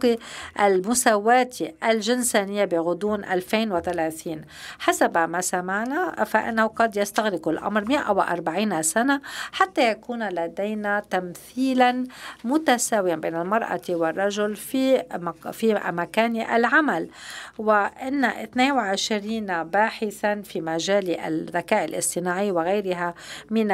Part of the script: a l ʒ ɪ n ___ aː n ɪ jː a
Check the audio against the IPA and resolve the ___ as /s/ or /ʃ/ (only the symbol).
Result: s